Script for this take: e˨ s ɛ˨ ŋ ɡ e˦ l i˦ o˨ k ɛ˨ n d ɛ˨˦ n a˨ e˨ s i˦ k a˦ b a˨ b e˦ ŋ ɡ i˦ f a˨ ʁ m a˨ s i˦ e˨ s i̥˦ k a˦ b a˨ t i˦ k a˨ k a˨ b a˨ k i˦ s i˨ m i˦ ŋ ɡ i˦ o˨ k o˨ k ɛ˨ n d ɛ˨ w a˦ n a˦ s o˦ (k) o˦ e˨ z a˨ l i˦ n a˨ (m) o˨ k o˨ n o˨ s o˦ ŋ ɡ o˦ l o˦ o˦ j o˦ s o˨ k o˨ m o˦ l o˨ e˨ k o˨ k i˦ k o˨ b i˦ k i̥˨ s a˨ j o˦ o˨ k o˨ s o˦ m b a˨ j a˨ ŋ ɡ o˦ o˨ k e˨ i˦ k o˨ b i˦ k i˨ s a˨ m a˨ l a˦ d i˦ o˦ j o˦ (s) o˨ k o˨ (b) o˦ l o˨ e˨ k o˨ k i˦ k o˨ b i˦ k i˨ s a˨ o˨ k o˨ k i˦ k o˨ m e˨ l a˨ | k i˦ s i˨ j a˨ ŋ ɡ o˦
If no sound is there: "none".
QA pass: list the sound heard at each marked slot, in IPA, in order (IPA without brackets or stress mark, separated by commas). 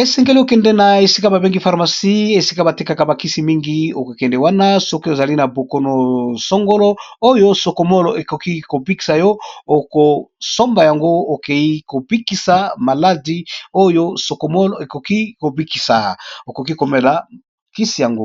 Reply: k, b, s, m